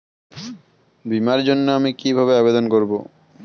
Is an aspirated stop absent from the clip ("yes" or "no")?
yes